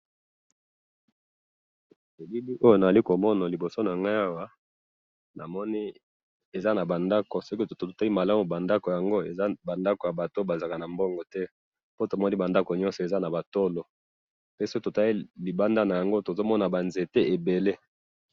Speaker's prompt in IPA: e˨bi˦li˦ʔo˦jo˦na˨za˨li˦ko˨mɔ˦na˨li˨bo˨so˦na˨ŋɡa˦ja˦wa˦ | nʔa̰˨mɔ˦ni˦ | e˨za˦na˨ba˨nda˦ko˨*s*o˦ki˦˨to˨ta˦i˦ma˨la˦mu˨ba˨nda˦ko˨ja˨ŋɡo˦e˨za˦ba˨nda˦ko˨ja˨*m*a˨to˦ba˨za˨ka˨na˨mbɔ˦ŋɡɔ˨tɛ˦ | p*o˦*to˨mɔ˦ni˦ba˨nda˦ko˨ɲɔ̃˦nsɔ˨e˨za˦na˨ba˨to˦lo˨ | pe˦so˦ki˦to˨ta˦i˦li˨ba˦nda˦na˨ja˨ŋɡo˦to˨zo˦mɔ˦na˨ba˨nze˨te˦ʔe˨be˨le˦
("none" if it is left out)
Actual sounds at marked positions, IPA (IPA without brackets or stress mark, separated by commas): s, b, o˦